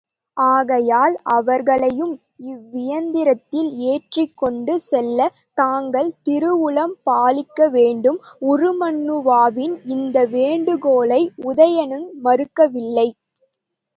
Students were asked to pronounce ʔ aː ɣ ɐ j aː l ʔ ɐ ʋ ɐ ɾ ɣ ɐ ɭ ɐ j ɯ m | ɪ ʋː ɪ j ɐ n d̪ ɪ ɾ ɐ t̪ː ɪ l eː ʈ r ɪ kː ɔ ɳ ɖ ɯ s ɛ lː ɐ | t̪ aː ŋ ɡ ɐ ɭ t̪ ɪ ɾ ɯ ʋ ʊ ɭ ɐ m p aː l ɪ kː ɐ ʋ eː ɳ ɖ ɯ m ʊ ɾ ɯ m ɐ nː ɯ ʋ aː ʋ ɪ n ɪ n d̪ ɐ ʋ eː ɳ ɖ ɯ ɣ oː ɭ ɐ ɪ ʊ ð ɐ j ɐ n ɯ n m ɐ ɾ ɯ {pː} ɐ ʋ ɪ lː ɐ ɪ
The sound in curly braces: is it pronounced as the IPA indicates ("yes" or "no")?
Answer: no